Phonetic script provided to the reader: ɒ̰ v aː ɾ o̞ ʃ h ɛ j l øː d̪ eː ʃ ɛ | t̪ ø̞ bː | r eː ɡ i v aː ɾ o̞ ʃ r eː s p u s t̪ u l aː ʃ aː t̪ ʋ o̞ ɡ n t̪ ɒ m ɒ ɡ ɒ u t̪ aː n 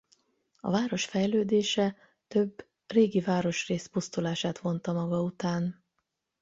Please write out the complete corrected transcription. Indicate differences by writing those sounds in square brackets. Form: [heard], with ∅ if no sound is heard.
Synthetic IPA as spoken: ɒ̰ v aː ɾ o̞ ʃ [f] ɛ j l øː d̪ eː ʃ ɛ | t̪ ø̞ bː | r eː ɡ i v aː ɾ o̞ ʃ r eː s p u s t̪ u l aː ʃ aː t̪ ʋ o̞ [∅] n t̪ ɒ m ɒ ɡ ɒ u t̪ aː n